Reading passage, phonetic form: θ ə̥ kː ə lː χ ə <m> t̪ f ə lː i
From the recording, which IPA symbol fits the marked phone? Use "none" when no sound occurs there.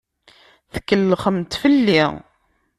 m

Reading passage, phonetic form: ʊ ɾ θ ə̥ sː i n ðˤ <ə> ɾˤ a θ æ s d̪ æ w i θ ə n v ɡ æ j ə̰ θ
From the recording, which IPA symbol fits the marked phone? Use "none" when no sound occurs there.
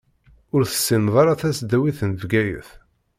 ɑ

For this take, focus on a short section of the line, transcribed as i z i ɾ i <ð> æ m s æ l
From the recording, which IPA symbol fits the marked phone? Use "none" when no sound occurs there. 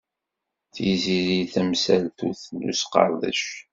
θ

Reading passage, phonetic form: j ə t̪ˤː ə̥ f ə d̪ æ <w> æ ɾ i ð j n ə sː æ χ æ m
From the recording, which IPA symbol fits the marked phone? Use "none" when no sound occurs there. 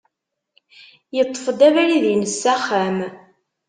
v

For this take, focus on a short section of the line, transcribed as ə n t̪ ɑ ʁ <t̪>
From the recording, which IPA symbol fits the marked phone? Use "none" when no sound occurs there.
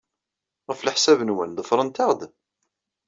d̪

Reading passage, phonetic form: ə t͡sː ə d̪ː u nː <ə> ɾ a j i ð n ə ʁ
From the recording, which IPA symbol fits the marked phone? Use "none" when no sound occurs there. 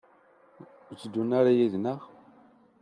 a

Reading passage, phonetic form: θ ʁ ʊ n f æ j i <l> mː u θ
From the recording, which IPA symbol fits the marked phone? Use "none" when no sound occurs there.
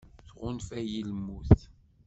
l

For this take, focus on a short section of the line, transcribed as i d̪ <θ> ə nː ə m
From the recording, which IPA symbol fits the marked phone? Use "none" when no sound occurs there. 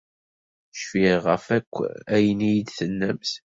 θ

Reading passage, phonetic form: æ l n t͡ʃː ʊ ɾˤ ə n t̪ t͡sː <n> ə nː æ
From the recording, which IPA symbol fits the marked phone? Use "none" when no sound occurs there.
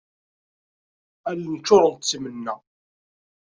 m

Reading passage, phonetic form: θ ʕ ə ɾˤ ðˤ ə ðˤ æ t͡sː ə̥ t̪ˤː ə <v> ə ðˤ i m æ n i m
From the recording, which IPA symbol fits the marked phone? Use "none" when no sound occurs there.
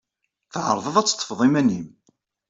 f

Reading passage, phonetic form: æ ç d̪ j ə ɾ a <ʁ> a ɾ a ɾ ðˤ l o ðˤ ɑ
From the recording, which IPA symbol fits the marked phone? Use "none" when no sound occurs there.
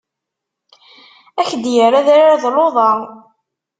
ð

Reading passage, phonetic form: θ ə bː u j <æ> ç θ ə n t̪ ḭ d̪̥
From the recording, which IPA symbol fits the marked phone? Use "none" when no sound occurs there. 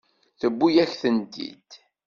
æ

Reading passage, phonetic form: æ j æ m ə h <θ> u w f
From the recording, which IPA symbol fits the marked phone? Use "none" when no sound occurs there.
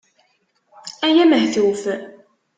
θ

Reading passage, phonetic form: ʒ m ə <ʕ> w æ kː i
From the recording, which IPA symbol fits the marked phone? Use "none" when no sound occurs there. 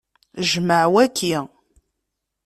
ʕ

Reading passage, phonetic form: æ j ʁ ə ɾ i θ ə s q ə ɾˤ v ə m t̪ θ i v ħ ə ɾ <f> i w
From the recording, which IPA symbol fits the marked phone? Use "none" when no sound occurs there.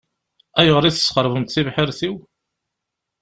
θ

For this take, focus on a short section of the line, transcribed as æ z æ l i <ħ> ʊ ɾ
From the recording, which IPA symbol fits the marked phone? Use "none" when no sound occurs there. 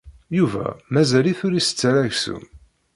θ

